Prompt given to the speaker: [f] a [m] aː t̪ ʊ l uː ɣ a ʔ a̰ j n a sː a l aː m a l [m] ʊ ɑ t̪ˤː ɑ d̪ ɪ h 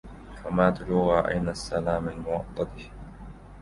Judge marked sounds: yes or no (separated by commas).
yes, yes, yes